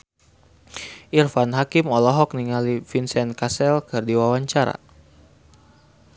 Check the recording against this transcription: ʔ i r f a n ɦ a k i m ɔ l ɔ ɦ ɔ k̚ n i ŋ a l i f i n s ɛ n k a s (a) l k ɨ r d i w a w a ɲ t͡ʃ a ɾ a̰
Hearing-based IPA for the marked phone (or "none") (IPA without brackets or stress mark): ɛ